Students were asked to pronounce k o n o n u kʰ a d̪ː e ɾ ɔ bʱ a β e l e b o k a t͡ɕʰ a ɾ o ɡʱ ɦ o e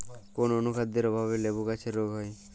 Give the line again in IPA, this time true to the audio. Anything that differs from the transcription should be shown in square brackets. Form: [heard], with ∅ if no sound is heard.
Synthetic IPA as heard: k o n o n u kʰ a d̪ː e ɾ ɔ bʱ a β e l e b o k a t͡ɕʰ [e] ɾ o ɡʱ ɦ [ɔ] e